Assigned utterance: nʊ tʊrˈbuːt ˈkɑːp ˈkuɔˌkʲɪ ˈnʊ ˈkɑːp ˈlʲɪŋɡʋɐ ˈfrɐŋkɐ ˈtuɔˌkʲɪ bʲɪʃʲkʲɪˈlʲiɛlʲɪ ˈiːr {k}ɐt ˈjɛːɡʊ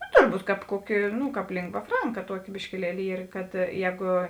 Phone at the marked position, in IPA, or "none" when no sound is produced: k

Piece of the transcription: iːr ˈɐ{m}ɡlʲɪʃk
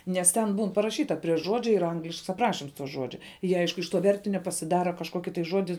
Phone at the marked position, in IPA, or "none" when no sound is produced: ŋ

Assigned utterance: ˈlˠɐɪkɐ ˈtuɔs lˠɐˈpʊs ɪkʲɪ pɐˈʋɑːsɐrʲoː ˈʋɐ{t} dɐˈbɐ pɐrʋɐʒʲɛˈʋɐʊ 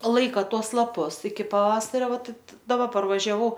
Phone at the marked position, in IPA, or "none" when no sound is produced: t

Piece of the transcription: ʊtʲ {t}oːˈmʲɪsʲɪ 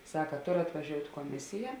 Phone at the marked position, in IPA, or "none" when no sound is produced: k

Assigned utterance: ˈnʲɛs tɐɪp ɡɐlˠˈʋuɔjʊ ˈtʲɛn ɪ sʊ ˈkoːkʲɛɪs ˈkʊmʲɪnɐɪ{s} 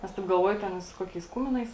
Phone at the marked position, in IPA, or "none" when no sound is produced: s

